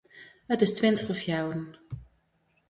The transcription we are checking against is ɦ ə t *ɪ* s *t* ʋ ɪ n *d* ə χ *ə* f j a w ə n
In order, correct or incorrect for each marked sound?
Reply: correct, correct, incorrect: t, correct

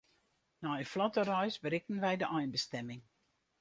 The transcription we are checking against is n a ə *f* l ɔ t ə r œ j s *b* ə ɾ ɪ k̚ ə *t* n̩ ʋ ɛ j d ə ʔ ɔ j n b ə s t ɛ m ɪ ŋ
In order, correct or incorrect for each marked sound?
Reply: correct, correct, incorrect: none

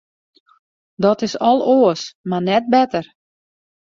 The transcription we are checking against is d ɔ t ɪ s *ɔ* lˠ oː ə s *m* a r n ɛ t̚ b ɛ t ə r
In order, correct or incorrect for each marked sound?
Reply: correct, correct

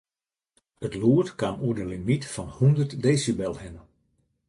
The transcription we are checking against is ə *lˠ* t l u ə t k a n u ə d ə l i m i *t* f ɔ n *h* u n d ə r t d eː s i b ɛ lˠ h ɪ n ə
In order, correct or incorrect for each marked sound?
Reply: incorrect: none, correct, correct

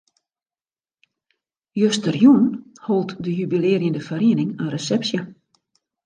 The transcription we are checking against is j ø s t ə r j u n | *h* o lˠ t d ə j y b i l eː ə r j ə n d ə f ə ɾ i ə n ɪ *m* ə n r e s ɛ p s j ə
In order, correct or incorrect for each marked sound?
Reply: correct, incorrect: ŋ

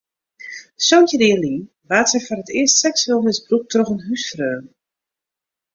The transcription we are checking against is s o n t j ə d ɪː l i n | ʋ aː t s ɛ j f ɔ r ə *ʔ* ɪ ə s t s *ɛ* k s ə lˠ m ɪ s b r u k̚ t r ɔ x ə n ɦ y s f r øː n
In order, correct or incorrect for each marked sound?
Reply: incorrect: t, correct

